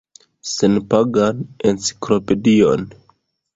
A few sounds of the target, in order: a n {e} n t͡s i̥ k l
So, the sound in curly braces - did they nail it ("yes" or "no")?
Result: yes